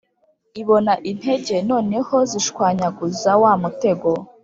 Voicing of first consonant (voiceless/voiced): voiced